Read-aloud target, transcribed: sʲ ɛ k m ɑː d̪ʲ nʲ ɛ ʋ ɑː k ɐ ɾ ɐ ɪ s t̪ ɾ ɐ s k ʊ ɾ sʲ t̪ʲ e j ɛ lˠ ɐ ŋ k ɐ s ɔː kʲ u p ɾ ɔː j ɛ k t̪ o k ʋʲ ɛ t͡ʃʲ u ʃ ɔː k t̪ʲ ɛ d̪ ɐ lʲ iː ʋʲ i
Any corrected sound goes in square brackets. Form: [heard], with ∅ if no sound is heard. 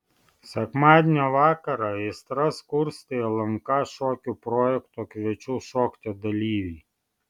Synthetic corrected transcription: sʲ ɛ k m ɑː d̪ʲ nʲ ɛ ʋ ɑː k ɐ ɾ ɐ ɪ s t̪ ɾ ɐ s k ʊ ɾ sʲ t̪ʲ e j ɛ lˠ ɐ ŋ k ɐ [ʃ] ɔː kʲ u p ɾ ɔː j ɛ k t̪ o k ʋʲ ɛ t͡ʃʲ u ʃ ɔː k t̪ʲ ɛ d̪ ɐ lʲ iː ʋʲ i

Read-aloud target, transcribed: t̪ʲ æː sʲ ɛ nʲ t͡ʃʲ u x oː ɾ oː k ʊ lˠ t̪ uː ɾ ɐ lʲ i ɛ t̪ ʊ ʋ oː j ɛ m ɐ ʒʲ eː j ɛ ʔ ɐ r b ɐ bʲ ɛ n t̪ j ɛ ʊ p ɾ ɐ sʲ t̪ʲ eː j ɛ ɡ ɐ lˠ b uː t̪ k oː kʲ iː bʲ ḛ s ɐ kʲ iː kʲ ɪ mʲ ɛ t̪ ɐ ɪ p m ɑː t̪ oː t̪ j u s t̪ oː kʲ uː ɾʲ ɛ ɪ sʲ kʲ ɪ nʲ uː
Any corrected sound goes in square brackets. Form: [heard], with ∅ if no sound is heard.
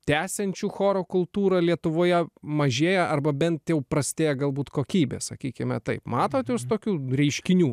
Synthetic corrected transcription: t̪ʲ æː sʲ ɛ nʲ t͡ʃʲ u x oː ɾ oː k ʊ lˠ t̪ uː ɾ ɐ lʲ i ɛ t̪ ʊ ʋ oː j ɛ m ɐ ʒʲ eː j ɛ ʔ ɐ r b ɐ bʲ ɛ n t̪ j ɛ ʊ p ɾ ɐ sʲ t̪ʲ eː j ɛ ɡ ɐ lˠ b uː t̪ k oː kʲ iː bʲ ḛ s ɐ kʲ iː kʲ ɪ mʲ ɛ t̪ ɐ ɪ p m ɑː t̪ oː t̪ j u s t̪ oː kʲ uː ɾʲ ɛ ɪ [ʃʲ] kʲ ɪ nʲ uː

